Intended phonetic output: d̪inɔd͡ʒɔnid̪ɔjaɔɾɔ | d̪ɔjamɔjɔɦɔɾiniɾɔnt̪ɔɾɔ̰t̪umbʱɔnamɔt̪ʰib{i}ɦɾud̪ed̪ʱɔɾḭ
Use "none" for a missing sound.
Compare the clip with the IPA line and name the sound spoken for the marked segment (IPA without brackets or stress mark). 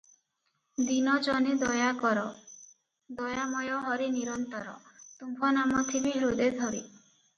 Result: i